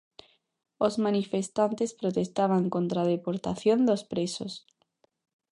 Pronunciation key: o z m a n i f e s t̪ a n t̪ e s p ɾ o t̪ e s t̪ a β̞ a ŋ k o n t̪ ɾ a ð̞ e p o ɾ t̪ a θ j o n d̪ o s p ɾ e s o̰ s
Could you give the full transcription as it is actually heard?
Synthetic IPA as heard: o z m a n i f e s t̪ a n t̪ e s p ɾ o t̪ e s t̪ a β̞ a ŋ k o n t̪ ɾ a ð̞ e p o ɾ t̪ a θ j o n d̪ o s p ɾ e s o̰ s

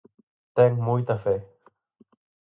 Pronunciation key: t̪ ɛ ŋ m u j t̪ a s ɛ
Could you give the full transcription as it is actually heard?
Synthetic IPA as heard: t̪ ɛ ŋ m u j t̪ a f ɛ

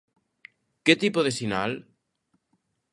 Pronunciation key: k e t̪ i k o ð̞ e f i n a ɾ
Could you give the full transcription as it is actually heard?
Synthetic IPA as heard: k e t̪ i p o ð̞ e s i n a l

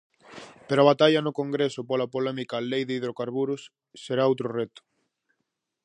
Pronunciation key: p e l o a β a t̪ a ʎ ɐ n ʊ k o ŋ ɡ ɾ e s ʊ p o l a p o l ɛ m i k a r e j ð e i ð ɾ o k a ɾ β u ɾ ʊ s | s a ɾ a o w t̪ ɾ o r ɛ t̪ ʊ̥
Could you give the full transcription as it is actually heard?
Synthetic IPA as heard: p e ɾ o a β a t̪ a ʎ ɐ n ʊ k o ŋ ɡ ɾ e s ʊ p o l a p o l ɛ m i k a l e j ð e i ð ɾ o k a ɾ β u ɾ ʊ s | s e ɾ a o w t̪ ɾ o r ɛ t̪ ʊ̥

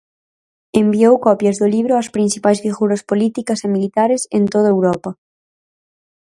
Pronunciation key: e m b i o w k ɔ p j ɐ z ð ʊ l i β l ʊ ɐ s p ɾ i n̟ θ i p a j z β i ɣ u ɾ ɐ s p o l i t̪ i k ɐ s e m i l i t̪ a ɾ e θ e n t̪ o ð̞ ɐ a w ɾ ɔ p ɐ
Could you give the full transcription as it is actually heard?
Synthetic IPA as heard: e m b i o w k ɔ p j ɐ z ð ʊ l i β ɾ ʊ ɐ s p ɾ i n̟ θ i p a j z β i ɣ u ɾ ɐ s p o l i t̪ i k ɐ s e m i l i t̪ a ɾ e s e n t̪ o ð̞ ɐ e w ɾ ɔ p ɐ

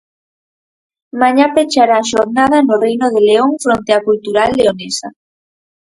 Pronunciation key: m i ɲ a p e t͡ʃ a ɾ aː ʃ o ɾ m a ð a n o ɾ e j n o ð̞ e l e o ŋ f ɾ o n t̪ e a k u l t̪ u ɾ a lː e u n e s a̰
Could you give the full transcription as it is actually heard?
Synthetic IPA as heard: m a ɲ a p e t͡ʃ a ɾ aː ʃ o ɾ n a ð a n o r e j n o ð̞ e l e o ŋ f ɾ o n t̪ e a k u l t̪ u ɾ a lː e o n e s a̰

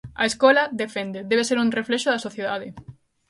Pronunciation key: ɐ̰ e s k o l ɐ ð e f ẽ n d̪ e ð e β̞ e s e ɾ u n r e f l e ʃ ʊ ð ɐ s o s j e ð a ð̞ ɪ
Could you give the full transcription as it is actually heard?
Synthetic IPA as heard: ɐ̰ e s k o l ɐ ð e f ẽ n d̪ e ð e β̞ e s e ɾ u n r e f l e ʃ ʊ ð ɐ s o θ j e ð a ð̞ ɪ

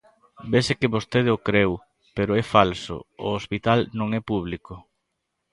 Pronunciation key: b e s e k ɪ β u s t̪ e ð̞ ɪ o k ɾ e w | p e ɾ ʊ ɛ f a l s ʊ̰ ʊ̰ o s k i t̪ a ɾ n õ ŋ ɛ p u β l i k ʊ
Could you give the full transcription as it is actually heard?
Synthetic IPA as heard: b e s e k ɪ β o s t̪ e ð̞ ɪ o k ɾ e w | p e ɾ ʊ ɛ f a l s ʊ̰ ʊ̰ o s p i t̪ a l n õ ŋ ɛ p u β l i k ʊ

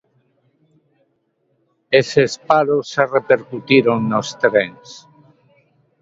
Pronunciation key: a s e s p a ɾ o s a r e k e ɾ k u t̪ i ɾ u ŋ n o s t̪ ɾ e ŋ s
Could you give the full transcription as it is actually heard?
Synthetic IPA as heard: e s e s p a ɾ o s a r e p e ɾ k u t̪ i ɾ o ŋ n o s t̪ ɾ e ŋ s

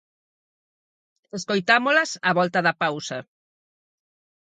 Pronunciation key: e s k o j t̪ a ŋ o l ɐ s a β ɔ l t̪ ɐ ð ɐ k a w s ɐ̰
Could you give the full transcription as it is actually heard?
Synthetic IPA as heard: e s k o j t̪ a m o l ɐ s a β ɔ l t̪ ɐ ð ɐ p a w s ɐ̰

